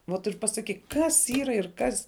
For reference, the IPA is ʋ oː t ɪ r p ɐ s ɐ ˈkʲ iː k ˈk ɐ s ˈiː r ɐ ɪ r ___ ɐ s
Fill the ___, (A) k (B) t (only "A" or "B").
A